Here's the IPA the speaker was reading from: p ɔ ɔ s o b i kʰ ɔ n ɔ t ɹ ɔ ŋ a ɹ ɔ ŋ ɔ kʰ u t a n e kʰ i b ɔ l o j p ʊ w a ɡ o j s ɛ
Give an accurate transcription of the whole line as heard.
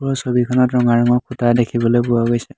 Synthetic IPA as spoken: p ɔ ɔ s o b i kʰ ɔ n ɔ t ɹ ɔ ŋ a ɹ ɔ ŋ ɔ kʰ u t a d e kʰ i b ɔ l o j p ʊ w a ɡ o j s ɛ